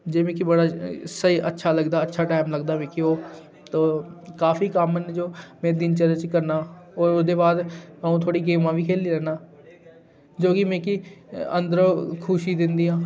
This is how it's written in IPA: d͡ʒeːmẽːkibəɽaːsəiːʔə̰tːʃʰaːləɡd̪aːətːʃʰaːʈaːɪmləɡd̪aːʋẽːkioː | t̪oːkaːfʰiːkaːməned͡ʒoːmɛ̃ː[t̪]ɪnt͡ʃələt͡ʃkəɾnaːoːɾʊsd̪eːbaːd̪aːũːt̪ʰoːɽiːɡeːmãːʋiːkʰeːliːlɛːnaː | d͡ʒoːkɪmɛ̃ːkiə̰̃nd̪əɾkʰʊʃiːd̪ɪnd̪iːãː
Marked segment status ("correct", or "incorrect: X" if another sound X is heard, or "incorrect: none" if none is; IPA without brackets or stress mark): incorrect: d̪